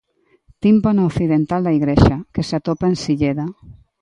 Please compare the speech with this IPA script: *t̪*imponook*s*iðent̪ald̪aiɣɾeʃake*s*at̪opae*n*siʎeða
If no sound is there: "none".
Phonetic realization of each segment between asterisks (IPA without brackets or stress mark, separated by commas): t̪, θ, s, n